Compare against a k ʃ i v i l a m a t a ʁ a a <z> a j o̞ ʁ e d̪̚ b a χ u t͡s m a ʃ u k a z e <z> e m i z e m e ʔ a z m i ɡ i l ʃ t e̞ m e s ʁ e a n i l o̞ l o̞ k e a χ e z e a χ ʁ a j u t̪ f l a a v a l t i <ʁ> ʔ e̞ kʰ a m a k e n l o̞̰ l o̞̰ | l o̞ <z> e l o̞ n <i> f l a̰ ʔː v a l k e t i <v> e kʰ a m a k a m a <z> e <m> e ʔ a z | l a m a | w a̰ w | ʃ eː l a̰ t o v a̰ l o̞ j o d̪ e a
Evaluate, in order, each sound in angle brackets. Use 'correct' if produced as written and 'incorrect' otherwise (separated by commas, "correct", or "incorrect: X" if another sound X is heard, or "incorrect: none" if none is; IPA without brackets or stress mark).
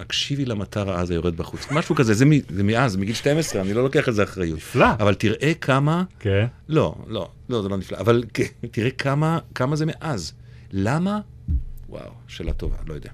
correct, correct, correct, correct, correct, incorrect: ʁ, correct, correct